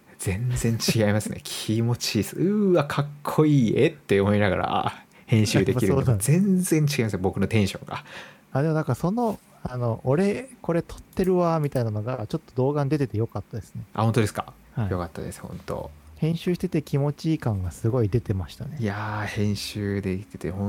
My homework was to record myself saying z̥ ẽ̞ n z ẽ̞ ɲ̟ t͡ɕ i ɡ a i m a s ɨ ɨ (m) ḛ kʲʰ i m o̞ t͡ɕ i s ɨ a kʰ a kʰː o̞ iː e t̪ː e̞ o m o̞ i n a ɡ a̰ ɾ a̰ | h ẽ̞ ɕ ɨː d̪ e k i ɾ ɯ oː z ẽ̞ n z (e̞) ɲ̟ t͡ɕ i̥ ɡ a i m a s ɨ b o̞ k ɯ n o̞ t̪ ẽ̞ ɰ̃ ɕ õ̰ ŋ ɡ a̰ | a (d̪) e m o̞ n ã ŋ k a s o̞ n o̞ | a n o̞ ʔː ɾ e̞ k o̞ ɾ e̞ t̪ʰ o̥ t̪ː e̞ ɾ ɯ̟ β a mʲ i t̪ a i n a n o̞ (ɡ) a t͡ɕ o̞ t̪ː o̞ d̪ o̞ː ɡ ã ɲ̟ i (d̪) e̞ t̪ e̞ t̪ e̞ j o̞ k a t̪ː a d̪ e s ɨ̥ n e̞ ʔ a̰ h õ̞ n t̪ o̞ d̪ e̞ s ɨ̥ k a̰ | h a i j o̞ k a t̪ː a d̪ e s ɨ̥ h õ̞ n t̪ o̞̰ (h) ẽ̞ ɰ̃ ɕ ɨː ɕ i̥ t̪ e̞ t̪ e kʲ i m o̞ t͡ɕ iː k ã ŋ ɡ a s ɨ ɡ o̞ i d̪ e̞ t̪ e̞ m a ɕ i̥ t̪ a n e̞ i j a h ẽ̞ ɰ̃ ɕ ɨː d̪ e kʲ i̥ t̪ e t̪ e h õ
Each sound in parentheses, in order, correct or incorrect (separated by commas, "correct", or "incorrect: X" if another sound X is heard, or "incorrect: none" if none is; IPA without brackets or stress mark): incorrect: n, incorrect: ẽ̞, correct, correct, correct, correct